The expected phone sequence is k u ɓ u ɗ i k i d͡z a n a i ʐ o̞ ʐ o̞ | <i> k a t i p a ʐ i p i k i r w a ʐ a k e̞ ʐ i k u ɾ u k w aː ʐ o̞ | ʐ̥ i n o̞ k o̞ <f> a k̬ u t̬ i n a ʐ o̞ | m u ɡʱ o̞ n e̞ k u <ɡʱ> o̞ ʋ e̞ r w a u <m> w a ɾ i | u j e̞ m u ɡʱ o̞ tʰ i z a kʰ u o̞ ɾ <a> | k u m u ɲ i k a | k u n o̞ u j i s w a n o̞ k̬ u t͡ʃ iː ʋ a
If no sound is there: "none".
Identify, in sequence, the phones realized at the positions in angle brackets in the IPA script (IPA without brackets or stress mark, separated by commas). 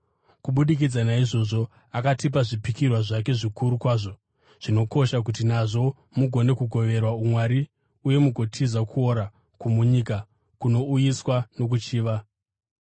a, ʃ, ɡʱ, m, a